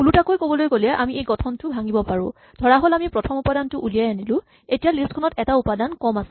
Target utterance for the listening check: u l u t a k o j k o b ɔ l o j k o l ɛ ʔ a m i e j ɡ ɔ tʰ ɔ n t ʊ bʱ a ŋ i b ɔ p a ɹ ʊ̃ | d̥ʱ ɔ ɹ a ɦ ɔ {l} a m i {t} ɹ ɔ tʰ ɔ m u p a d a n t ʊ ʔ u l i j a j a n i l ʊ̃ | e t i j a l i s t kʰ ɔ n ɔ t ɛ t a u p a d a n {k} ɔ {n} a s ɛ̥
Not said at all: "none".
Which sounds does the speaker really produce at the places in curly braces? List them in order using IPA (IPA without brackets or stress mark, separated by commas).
l, p, k, m